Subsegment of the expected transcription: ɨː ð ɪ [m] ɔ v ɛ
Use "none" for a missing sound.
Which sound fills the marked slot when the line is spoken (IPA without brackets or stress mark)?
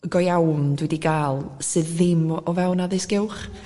m